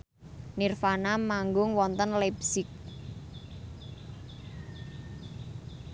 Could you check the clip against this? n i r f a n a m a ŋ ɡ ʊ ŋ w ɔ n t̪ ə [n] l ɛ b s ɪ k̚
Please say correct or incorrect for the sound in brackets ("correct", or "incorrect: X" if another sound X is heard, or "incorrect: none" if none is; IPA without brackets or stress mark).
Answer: correct